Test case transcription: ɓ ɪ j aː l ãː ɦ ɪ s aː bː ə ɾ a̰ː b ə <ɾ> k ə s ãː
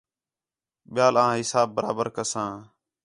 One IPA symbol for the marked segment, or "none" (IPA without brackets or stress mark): ɾ